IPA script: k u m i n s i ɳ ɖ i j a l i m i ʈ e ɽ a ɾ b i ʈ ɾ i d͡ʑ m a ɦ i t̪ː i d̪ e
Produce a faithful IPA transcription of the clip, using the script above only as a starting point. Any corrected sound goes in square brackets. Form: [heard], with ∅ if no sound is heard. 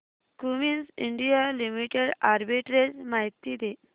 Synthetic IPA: k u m i n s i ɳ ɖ i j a l i m i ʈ e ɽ a ɾ b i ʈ ɾ [e] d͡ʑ m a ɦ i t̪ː i d̪ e

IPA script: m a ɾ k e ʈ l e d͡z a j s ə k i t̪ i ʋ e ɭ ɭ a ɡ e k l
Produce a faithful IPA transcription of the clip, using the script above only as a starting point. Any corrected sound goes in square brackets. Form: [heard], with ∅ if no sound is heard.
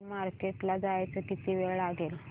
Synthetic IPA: m a ɾ k e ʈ l [a] d͡z a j [t͡s] ə k i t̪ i ʋ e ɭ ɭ a ɡ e [∅] l

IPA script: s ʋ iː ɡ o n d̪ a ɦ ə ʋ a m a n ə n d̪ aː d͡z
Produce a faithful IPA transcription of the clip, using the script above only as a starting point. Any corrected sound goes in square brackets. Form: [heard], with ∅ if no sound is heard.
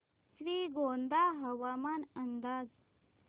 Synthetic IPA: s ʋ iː ɡ o n d̪ a ɦ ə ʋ a m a n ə n d̪ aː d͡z

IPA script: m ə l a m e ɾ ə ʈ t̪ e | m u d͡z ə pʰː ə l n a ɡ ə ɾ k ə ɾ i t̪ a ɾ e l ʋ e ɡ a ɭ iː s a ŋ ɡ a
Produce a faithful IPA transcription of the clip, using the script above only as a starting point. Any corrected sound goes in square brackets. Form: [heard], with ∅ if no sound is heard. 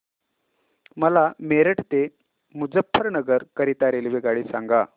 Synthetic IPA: m ə l a m e ɾ ə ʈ t̪ e | m u d͡z ə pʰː ə [ɾ] n [ə] ɡ ə ɾ k ə ɾ i t̪ a ɾ e l ʋ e ɡ a ɭ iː s a ŋ ɡ a

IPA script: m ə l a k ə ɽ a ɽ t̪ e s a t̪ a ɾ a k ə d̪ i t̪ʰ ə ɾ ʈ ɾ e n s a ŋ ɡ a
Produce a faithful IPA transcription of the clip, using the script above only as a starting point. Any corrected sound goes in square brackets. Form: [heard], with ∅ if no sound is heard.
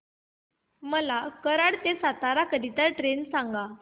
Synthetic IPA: m ə l a k ə [ɾ] a ɽ t̪ e s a t̪ a ɾ a k ə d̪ i [t̪] ə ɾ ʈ ɾ e n s a ŋ ɡ a

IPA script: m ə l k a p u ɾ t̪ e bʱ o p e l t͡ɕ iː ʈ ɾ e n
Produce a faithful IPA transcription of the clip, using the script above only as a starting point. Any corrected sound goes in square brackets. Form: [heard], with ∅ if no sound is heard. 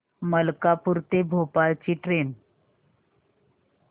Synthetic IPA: m ə l k a p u ɾ t̪ e bʱ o p [a] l t͡ɕ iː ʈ ɾ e n

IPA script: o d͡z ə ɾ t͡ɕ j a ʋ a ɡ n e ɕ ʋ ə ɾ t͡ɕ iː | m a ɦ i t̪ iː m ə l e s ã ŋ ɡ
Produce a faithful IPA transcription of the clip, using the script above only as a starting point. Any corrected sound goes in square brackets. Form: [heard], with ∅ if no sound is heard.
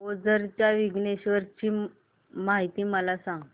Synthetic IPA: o d͡z ə ɾ t͡ɕ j a ʋ [i] ɡ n e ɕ ʋ ə ɾ t͡ɕ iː | m a ɦ i t̪ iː m ə l [a] s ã ŋ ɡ

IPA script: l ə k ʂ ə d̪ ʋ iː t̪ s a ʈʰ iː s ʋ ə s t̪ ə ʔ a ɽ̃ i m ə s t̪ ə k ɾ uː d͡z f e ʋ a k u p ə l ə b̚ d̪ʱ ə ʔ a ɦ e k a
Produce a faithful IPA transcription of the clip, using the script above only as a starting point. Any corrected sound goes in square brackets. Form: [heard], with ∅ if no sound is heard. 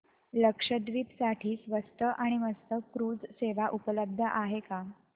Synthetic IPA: l ə k ʂ ə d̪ ʋ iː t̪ s a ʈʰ iː s ʋ ə s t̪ ə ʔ a ɽ̃ i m ə s t̪ ə k ɾ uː d͡z [s] e ʋ a [ʔ] u p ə l ə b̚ d̪ʱ ə ʔ a ɦ e k a

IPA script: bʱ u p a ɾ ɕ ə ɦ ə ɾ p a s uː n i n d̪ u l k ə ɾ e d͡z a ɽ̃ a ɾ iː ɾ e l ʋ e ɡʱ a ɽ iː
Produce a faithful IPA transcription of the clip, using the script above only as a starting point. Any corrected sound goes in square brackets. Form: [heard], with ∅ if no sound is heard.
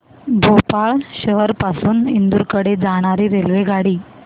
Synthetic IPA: bʱ [o] p a [ɭ] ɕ ə ɦ ə ɾ p a s uː n i n d̪ u [ɾ] k ə [ɽ] e d͡z a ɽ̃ a ɾ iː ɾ e l ʋ e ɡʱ a ɽ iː

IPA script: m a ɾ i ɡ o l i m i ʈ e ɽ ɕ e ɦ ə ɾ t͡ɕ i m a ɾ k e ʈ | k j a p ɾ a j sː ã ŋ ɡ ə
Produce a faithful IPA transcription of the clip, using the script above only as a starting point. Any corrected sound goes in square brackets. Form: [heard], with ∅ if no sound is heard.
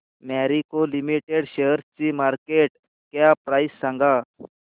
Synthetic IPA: m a ɾ i [k] o l i m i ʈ e ɽ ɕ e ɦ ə ɾ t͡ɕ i m a ɾ k e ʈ | k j a p ɾ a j sː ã ŋ ɡ [a]

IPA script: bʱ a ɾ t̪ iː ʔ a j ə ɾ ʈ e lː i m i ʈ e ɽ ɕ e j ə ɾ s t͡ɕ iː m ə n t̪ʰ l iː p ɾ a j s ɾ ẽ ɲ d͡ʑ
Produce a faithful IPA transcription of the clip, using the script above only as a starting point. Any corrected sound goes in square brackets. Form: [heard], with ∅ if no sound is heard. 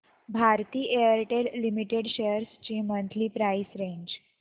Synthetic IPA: bʱ a ɾ t̪ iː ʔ [e] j ə ɾ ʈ e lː i m i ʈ e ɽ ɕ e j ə ɾ s t͡ɕ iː m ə n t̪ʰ l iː p ɾ a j s ɾ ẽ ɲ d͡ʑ

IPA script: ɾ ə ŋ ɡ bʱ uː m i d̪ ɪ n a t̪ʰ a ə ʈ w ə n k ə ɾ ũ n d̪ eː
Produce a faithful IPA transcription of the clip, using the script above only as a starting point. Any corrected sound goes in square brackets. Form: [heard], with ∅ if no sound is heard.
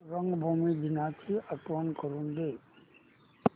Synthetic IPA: ɾ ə ŋ ɡ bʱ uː m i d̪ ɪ n a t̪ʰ [i] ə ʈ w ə n k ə ɾ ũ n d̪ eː

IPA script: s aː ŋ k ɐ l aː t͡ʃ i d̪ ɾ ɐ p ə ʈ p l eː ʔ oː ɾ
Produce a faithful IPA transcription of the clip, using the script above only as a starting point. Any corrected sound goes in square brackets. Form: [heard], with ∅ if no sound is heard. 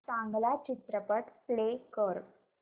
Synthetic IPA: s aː ŋ [ɡ] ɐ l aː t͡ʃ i [t̪] ɾ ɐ p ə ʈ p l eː [k] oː ɾ

